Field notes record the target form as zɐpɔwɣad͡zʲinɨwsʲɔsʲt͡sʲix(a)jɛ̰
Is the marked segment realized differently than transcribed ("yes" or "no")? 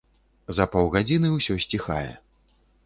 no